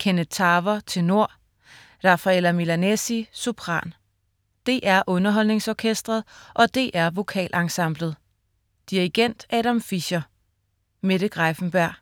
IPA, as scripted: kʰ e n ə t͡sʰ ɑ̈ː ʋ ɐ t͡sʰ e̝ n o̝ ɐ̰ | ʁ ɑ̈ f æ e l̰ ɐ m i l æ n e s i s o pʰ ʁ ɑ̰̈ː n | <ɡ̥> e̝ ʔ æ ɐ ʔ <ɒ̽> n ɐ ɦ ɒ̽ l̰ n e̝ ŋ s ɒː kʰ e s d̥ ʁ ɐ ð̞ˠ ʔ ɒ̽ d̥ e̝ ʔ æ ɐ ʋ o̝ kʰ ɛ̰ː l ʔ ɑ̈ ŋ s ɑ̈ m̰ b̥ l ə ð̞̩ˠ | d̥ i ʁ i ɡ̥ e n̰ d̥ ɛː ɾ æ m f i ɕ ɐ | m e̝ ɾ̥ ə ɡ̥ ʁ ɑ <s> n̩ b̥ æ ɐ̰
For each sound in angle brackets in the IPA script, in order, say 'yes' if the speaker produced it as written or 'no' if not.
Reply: no, no, no

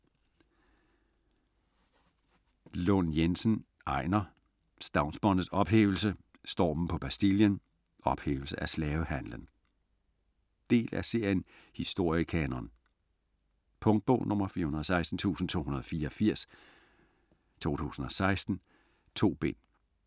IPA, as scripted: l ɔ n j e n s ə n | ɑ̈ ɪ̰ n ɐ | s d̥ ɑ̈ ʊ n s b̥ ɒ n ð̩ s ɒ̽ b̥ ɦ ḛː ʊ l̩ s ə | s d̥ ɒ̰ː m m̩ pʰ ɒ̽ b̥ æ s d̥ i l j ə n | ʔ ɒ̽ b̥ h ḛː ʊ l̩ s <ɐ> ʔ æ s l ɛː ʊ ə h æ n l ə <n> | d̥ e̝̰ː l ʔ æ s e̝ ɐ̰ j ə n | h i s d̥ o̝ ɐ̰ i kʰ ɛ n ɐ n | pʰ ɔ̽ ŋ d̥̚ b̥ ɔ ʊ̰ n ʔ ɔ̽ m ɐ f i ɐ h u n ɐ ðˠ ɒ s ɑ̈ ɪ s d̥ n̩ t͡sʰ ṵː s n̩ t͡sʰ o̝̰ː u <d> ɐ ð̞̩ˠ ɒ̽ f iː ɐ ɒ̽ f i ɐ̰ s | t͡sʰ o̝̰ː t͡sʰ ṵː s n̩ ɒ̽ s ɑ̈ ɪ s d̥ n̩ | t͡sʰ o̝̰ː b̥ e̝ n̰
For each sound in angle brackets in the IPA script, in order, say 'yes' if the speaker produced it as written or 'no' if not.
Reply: no, yes, no

